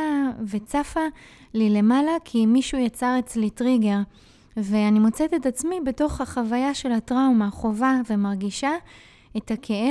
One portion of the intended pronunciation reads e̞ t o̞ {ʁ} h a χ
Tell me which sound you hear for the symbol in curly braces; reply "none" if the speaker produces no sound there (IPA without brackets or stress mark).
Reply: χ